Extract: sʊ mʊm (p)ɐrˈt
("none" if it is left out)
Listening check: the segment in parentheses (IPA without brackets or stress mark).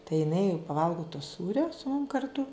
k